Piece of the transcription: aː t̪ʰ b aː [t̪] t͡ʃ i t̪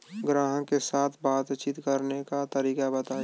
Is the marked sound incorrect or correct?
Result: correct